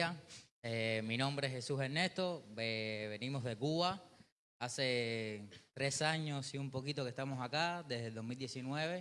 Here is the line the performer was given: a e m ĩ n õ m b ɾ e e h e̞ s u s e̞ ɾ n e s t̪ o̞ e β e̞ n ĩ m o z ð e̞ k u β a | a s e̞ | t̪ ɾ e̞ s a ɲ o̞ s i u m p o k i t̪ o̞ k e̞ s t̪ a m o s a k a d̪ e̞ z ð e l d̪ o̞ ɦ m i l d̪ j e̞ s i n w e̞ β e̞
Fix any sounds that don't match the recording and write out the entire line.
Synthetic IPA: a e m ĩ n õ m b ɾ e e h e̞ s u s e̞ ɾ n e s t̪ o̞ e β e̞ n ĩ m o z ð e̞ k u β a | a s e̞ | t̪ ɾ e̞ s a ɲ o̞ s i u m p o k i t̪ o̞ k e̞ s t̪ a m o s a k a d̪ e̞ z ð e l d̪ o̞ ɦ m i l d̪ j e̞ s i n w e̞ β e̞